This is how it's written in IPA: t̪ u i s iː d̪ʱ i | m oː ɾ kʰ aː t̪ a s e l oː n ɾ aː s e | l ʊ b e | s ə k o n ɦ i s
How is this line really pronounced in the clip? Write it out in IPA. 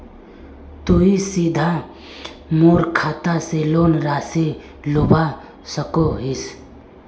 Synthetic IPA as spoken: t̪ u i s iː d̪ʱ a | m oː ɾ kʰ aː t̪ a s e l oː n ɾ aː s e | l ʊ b a | s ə k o ɦ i s

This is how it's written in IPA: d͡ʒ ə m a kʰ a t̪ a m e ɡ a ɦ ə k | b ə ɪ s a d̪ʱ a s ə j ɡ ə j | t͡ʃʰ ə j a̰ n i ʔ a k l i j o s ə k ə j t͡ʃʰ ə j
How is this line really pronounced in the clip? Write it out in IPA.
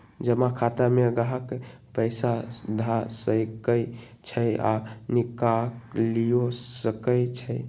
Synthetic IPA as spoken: d͡ʒ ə m a kʰ a t̪ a m e ɡ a ɦ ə k | p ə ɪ s a d̪ʱ a s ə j k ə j | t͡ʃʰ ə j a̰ n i k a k l i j o s ə k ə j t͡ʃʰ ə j

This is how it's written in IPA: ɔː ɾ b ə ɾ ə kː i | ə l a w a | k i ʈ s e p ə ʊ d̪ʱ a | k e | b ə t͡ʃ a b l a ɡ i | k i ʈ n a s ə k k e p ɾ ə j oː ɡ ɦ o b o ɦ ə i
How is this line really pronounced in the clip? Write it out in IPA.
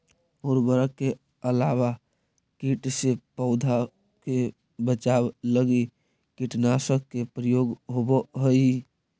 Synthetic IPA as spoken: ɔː ɾ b ə ɾ ə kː e | ə l a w a | k i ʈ s e p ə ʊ d̪ʱ a | k e | b ə t͡ʃ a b l ə ɡ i | k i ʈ n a s ə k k e p ɾ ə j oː ɡ ɦ o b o ɦ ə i

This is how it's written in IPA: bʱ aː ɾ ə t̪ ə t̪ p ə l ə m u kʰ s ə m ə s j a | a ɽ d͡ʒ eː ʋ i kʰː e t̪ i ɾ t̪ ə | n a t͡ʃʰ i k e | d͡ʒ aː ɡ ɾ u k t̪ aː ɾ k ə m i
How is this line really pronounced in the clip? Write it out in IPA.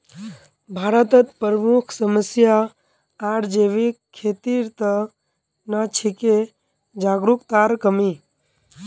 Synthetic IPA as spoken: bʱ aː ɾ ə t̪ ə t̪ p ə ɾ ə m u kʰ s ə m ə s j a | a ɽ d͡ʒ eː ʋ i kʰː e t̪ i ɾ t̪ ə | n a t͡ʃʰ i k e | d͡ʒ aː ɡ ɾ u k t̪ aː ɾ k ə m i

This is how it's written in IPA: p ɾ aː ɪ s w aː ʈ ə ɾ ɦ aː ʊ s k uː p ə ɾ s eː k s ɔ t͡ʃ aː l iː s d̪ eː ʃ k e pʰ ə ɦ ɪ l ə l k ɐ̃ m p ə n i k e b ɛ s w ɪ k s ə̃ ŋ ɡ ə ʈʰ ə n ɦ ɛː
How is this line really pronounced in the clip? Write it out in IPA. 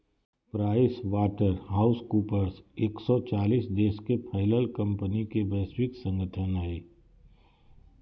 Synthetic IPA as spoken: p ɾ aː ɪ s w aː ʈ ə ɾ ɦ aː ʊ s k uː p ə ɾ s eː k s ɔ t͡ʃ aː l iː s d̪ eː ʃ k e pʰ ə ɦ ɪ l ə l k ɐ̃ m p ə n i k e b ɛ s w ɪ k s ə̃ ŋ ɡ ə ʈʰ ə n ɦ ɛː

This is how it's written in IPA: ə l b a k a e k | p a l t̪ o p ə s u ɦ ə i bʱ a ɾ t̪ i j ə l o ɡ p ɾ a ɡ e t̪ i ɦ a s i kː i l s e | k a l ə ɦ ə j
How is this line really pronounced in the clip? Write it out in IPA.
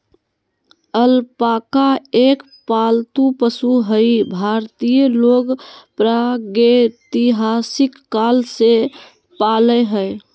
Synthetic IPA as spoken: ə l p a k a e k | p a l t̪ u p ə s u ɦ ə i bʱ a ɾ t̪ i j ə l o ɡ p ɾ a ɡ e t̪ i ɦ a s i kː a l s e | p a l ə ɦ ə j

